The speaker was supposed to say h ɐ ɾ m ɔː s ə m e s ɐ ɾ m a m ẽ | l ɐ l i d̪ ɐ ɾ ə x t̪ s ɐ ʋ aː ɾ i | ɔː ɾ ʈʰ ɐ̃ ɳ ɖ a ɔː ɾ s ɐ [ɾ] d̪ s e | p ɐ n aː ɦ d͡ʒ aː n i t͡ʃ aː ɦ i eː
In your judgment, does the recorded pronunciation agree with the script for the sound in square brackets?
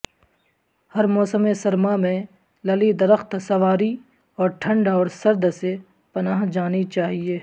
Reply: yes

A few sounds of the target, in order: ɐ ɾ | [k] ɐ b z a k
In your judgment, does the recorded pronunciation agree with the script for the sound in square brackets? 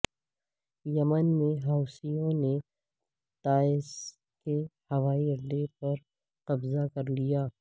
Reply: no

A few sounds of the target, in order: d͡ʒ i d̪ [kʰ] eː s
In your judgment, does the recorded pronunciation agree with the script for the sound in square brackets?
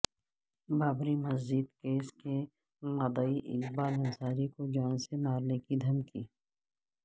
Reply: no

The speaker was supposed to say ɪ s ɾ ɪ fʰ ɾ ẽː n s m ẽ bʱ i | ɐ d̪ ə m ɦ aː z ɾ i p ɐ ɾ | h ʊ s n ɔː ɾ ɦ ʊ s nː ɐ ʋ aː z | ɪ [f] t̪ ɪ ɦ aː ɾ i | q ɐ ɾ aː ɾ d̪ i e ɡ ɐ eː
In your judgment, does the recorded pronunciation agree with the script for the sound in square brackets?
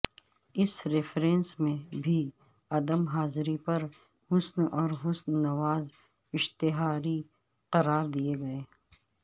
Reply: no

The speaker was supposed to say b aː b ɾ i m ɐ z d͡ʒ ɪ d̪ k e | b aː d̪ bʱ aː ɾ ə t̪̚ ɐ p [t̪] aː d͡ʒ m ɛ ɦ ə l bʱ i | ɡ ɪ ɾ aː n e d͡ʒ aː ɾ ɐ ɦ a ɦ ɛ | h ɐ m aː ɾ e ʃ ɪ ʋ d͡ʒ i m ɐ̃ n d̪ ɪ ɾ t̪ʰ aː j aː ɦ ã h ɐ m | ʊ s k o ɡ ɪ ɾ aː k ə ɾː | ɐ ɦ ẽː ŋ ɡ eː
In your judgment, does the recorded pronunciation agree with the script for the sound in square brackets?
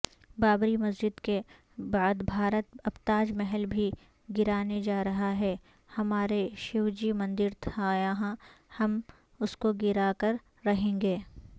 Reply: yes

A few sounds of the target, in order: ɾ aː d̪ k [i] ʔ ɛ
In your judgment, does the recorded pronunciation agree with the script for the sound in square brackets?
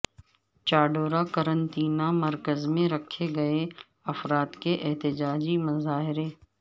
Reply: no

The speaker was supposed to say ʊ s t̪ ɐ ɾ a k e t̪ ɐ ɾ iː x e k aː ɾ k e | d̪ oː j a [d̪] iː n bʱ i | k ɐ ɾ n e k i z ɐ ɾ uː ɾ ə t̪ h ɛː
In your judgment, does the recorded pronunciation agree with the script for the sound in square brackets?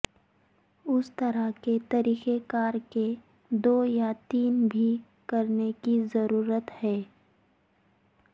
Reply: no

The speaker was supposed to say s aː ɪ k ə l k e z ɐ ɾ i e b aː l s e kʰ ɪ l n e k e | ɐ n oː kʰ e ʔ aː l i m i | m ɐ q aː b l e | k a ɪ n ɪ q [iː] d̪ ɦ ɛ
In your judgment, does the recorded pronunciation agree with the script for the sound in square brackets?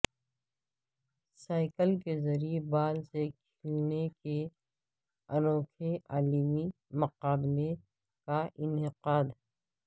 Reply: no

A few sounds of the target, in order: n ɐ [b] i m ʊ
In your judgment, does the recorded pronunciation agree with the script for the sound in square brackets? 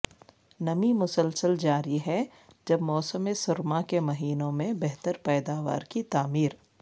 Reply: no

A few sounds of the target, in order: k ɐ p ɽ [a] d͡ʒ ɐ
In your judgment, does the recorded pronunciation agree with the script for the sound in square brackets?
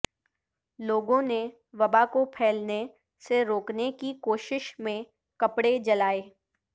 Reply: no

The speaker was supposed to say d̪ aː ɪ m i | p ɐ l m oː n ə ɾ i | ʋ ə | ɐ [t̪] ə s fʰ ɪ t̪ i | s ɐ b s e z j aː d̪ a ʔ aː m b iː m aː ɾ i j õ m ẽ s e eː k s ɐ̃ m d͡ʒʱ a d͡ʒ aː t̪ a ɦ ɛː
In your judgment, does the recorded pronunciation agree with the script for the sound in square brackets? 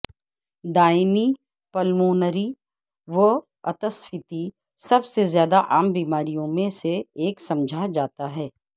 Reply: yes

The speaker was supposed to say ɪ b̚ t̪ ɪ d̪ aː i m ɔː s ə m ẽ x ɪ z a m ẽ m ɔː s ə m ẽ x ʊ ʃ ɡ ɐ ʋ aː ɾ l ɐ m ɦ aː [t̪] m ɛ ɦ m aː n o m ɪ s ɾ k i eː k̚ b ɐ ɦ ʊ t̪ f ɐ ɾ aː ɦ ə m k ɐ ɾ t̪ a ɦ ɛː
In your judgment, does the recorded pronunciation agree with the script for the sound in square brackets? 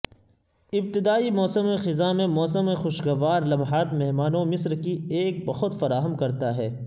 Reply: yes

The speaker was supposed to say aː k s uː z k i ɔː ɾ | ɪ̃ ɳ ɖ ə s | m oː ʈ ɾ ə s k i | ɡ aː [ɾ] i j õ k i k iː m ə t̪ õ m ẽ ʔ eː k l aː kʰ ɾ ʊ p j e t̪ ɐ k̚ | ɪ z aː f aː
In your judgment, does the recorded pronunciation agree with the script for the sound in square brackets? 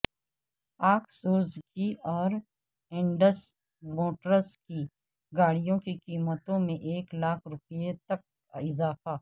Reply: no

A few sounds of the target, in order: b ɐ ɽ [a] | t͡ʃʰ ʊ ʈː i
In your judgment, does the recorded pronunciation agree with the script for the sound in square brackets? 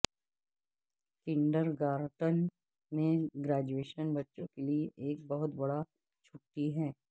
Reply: yes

